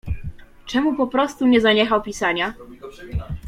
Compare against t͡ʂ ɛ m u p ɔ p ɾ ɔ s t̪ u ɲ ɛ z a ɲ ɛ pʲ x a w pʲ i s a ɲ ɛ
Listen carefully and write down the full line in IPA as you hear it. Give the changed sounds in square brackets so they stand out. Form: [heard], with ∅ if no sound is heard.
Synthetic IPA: t͡ʂ ɛ m u p ɔ p ɾ ɔ s t̪ u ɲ ɛ z a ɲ ɛ [∅] x a w pʲ i s a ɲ [a]